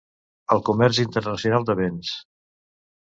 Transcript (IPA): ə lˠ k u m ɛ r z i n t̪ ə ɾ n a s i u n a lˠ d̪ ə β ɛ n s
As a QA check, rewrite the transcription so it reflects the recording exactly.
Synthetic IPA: ə lˠ k u m ɛ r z i n t̪ ə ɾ n ə s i u n a lˠ d̪ ə β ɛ n s